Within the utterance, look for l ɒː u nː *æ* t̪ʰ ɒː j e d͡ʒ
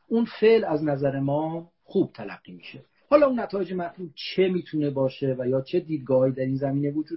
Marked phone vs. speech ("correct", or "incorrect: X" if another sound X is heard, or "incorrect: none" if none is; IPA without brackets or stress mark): correct